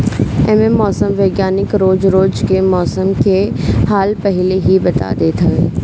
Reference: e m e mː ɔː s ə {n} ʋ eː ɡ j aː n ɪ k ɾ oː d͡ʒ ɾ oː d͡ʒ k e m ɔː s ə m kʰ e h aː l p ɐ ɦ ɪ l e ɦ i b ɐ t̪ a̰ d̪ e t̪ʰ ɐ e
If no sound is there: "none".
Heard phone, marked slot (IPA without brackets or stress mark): m